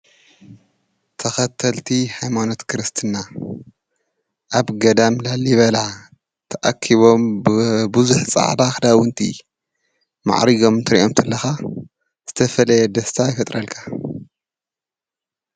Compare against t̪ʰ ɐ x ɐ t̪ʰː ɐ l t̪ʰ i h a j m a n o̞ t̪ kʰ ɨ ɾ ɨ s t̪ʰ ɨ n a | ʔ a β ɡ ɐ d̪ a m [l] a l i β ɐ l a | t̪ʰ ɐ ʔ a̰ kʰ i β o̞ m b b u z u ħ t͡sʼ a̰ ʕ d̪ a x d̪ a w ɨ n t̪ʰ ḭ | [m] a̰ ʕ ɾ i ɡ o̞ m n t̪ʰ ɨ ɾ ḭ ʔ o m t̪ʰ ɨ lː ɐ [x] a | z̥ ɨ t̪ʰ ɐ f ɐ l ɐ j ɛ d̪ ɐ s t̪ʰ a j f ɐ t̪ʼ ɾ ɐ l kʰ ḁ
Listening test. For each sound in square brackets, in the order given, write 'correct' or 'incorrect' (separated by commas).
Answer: correct, correct, correct